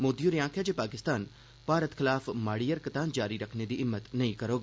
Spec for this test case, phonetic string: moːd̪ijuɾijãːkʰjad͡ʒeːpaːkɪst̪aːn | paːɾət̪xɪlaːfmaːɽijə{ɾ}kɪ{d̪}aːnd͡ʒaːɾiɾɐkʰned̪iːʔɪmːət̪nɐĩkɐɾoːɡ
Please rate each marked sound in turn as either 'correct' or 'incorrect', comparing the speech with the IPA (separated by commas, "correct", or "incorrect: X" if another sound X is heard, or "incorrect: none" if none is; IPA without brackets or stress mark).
correct, incorrect: t̪